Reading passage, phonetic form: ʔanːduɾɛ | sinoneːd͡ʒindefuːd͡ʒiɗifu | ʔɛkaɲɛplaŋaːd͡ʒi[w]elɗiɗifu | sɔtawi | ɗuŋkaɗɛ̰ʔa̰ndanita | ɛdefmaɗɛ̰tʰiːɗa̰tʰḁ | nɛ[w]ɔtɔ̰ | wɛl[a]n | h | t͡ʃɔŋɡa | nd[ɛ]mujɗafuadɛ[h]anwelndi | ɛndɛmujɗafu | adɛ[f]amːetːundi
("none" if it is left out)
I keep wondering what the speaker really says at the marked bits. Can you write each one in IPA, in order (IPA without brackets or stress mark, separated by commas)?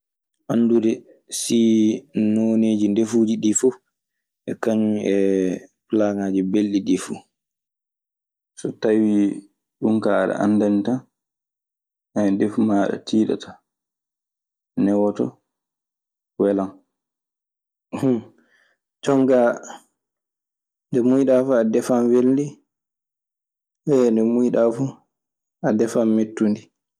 b, w, a, ɛ, f, f